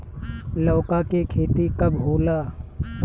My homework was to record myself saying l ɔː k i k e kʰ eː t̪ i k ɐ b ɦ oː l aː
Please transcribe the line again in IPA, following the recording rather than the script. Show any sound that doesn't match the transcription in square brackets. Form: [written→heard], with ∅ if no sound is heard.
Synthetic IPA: l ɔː k [i→a] k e kʰ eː t̪ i k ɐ b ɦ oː l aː

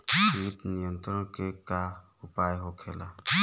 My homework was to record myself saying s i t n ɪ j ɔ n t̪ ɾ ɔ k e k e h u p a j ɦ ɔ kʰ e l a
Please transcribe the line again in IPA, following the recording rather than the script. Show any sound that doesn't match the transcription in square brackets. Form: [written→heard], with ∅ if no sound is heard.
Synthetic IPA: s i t n [ɪ→i] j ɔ n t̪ ɾ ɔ k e k [e→a] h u p a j ɦ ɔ kʰ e l a

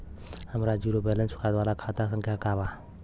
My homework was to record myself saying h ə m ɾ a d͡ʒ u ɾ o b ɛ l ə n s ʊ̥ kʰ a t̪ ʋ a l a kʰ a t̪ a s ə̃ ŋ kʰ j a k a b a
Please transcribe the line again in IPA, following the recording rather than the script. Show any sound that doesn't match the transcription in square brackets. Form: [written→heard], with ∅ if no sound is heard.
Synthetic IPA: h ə m ɾ a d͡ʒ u ɾ o b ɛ l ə n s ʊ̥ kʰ a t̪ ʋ a l a kʰ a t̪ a s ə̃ ŋ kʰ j a k a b a

